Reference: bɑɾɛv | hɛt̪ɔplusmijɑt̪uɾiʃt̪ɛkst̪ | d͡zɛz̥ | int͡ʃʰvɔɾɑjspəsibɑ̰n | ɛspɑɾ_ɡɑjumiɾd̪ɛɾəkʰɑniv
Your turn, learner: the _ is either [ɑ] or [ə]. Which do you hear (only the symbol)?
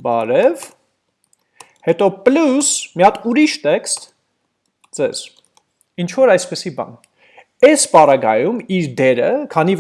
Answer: ɑ